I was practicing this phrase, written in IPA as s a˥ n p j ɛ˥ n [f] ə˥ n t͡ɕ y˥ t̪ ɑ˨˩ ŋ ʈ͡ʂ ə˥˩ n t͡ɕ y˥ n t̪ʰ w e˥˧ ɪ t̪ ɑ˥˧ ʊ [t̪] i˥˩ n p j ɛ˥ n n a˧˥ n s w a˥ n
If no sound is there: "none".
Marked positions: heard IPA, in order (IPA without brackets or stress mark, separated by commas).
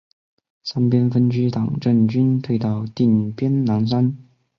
f, t̪